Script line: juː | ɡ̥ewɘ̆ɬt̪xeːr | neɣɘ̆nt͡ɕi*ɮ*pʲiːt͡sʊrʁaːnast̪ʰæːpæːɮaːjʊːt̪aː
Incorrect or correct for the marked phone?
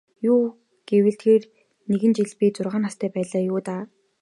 correct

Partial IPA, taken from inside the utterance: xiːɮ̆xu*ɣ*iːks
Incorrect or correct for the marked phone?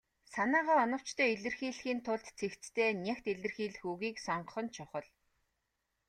correct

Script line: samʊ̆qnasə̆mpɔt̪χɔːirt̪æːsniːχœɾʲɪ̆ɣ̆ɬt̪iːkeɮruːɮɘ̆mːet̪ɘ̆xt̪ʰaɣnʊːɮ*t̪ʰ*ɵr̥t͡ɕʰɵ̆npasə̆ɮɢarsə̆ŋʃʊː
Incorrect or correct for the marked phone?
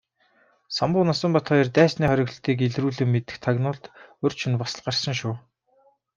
incorrect: t̪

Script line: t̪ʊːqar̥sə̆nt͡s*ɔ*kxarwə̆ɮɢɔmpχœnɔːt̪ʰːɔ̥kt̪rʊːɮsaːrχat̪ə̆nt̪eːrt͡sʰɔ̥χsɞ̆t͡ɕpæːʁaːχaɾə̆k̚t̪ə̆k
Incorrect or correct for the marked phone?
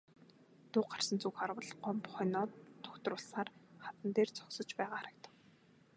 incorrect: u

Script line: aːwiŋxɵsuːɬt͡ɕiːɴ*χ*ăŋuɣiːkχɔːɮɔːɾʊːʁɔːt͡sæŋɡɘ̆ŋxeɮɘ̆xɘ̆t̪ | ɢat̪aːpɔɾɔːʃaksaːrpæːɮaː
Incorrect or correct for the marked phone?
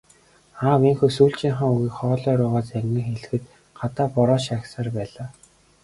correct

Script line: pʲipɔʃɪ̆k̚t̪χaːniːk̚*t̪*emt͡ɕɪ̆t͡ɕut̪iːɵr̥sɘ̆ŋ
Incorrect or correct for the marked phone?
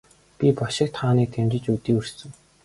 incorrect: t̪ʰ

